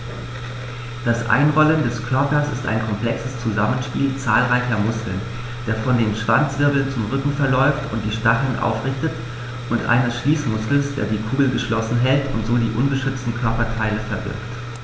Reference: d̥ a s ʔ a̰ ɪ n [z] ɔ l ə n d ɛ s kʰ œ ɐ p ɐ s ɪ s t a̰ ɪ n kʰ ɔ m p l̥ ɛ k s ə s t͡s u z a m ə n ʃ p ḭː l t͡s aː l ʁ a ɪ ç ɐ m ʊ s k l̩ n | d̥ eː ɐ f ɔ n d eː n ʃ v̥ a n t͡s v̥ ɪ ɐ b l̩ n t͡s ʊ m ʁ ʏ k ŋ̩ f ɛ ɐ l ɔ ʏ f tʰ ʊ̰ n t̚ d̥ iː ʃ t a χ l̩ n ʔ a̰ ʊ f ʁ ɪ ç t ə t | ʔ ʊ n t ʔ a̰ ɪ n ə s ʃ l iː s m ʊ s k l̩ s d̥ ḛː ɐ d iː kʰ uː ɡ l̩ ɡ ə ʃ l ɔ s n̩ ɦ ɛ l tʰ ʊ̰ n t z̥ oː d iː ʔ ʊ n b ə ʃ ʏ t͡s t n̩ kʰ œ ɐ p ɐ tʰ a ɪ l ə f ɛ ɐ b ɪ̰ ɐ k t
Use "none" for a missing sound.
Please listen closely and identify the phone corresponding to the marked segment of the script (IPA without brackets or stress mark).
ʁ